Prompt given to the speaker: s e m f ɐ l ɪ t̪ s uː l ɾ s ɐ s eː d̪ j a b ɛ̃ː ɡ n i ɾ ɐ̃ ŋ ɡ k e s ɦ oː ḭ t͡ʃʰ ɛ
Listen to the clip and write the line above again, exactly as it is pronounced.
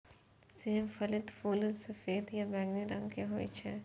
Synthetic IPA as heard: s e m f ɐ l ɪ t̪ f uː l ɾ s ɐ f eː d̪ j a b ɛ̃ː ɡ n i ɾ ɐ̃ ŋ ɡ k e ɦ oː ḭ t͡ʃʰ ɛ